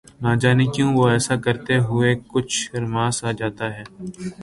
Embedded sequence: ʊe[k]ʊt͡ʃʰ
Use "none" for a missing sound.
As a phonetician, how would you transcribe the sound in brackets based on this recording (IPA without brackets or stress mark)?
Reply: k